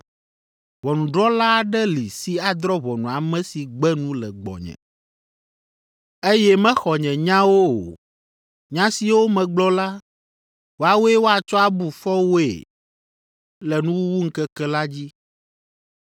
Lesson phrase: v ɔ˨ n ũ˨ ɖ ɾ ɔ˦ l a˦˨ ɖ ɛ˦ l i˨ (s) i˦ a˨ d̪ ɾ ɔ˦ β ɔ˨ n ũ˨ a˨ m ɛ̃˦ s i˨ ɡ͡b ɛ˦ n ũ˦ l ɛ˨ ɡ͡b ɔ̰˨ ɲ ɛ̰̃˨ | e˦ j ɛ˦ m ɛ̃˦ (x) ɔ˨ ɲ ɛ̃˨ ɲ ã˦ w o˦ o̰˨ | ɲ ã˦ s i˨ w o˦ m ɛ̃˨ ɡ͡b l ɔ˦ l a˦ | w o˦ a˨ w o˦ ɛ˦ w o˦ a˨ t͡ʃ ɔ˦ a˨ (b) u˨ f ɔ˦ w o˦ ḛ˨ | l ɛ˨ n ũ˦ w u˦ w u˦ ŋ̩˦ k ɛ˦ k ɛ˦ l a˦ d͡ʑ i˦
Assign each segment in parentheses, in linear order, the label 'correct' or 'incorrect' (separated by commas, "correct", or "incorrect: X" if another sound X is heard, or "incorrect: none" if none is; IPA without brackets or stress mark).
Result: correct, correct, correct